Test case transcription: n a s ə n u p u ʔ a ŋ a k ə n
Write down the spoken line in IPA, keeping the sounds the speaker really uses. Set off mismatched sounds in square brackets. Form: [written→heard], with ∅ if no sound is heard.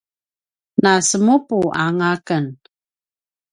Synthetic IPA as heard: n a s ə [n→m] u p u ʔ a ŋ a k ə n